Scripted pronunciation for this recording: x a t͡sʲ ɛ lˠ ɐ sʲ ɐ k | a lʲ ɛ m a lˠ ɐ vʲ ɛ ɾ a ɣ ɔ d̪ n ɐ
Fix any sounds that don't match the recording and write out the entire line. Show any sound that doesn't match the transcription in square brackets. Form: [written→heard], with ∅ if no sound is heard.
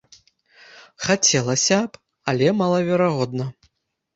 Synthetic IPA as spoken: x a t͡sʲ ɛ lˠ ɐ sʲ ɐ [k→p] | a lʲ ɛ m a lˠ ɐ vʲ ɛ ɾ a ɣ ɔ d̪ n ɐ